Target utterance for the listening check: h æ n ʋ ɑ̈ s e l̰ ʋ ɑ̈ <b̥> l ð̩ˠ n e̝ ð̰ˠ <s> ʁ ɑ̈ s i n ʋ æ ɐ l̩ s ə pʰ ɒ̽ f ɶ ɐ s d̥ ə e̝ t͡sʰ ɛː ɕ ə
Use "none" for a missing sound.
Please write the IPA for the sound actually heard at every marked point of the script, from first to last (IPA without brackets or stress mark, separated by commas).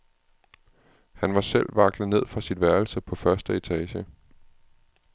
ɡ̥, f